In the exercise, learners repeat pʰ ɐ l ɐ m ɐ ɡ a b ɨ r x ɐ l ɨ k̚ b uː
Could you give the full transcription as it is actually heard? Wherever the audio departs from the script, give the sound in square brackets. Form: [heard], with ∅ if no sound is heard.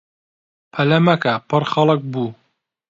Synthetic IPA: pʰ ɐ l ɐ m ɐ [k] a [p] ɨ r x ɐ l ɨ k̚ b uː

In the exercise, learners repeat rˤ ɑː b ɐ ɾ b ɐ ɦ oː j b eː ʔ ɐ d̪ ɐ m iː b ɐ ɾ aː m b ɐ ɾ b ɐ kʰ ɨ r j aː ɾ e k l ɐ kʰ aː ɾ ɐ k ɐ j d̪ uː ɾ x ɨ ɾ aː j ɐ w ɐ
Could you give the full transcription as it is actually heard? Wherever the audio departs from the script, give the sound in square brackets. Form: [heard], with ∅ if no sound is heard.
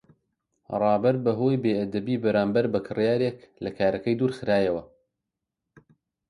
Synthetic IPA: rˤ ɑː b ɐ ɾ b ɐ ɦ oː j b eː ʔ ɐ d̪ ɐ [b] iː b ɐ ɾ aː m b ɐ ɾ b ɐ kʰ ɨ r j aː ɾ e k l ɐ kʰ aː ɾ ɐ k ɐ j d̪ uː ɾ x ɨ ɾ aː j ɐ w ɐ

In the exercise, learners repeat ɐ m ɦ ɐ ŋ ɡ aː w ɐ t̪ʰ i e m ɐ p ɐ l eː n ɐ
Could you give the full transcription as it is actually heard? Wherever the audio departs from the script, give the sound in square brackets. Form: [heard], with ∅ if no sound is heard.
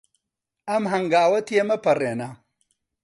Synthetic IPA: ɐ m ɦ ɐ ŋ ɡ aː w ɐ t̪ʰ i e m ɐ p ɐ [r] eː n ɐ

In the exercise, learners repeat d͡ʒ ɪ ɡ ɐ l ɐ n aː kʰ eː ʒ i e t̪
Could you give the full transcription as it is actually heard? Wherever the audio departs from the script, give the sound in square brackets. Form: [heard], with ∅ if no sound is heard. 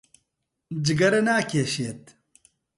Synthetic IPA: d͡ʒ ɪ ɡ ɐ [ɾ] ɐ n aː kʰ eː [ʃ] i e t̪

